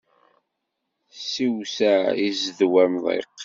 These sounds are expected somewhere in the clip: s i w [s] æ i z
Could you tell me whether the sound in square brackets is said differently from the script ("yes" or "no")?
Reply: no